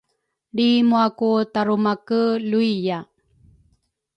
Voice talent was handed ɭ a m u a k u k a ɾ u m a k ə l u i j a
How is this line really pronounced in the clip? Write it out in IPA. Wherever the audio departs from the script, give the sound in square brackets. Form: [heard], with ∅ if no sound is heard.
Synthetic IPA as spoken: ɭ [i] m u a k u [t] a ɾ u m a k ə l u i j a